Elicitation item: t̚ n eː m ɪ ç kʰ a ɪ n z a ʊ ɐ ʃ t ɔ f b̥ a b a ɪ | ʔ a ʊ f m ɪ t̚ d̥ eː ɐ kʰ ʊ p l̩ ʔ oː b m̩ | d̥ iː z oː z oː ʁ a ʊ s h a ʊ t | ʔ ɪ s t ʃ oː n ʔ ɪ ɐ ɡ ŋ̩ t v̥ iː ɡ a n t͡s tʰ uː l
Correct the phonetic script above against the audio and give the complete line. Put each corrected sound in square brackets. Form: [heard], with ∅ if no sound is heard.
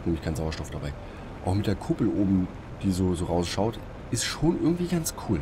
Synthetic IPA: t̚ n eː m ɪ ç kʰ a ɪ n z a ʊ ɐ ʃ t ɔ f [d̥] a b a ɪ | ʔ a ʊ [x] m ɪ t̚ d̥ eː ɐ kʰ ʊ p l̩ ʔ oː b m̩ | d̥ iː z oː z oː ʁ a ʊ s [ʃ] a ʊ t | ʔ ɪ s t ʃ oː n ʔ ɪ ɐ ɡ ŋ̩ t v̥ iː ɡ a n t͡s [kʰ] uː l